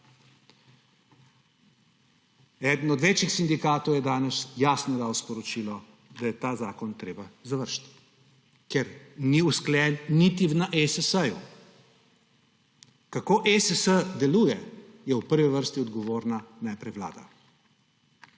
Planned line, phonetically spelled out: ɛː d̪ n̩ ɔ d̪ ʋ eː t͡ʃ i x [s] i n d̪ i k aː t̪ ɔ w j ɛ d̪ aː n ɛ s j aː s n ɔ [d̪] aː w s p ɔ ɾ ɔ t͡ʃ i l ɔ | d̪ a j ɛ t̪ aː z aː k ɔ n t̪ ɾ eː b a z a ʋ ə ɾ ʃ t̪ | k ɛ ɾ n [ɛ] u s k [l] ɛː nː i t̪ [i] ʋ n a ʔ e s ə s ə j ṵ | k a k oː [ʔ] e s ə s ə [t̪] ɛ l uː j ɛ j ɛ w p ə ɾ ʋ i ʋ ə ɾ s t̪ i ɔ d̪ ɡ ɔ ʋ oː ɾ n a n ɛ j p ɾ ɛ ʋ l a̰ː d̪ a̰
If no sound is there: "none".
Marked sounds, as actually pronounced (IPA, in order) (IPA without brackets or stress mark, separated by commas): s, d̪, i, l, i, ʔ, d̪